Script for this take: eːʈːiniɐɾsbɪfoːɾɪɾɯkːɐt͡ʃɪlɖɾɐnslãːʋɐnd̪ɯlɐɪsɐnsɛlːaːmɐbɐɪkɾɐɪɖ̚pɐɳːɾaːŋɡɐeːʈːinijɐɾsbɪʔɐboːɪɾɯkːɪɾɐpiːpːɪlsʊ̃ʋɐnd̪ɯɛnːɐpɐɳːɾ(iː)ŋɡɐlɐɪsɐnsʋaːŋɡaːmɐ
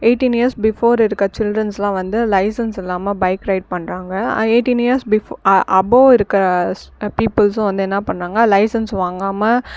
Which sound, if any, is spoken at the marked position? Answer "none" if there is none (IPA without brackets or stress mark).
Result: aː